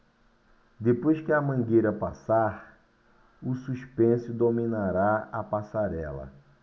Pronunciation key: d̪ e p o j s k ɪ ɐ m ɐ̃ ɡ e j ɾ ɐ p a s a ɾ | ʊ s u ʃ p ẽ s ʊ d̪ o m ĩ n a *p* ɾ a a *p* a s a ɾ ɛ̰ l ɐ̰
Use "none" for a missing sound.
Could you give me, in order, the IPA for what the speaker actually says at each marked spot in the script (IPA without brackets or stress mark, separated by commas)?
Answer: none, p